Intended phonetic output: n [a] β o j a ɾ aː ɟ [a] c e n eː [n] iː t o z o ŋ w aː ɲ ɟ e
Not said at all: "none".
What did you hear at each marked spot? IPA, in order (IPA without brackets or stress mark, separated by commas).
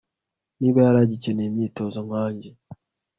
i, i, m